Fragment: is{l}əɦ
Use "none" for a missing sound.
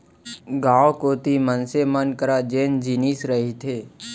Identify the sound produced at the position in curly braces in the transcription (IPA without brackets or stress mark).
ɾ